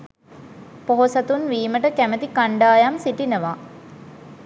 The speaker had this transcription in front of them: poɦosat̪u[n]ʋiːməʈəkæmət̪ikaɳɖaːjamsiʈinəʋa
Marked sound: correct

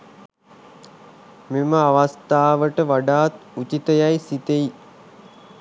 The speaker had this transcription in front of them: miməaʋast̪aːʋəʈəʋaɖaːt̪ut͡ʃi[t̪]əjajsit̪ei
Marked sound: correct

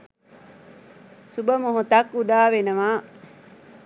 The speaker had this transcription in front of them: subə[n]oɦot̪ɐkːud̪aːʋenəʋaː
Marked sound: incorrect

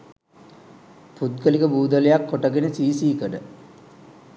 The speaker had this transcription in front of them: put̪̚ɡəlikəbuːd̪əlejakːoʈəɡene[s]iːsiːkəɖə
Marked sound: correct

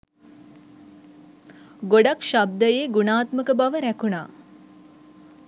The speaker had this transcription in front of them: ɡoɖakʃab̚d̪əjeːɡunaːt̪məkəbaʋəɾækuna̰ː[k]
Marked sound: incorrect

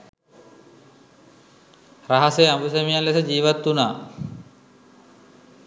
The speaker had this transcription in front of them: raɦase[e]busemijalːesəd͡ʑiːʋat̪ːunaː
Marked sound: incorrect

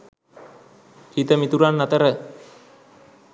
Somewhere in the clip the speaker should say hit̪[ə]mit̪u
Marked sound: correct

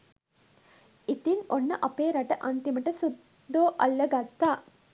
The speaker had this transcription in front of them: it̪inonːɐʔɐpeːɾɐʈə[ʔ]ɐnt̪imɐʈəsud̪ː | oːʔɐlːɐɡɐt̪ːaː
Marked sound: correct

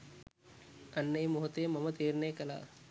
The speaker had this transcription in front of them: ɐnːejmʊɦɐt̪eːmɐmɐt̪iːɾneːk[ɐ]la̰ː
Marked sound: correct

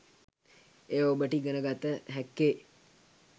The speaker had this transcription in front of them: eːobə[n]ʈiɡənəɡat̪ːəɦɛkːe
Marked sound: incorrect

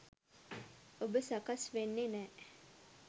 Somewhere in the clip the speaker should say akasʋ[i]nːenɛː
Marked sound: incorrect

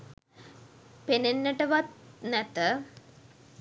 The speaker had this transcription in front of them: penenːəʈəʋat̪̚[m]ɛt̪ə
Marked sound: incorrect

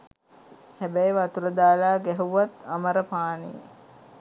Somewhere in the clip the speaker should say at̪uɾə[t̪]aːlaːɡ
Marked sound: incorrect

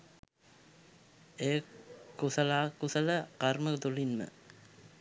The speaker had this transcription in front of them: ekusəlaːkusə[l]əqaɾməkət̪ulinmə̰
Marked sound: correct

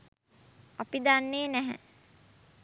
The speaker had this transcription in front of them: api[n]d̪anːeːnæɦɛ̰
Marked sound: incorrect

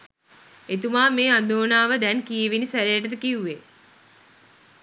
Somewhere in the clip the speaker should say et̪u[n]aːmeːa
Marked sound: incorrect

